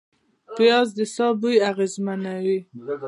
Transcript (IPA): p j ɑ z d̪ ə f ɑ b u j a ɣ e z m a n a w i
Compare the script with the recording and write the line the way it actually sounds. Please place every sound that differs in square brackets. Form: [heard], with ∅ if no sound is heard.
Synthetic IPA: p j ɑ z d̪ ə [s] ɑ b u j a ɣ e z m a n a w i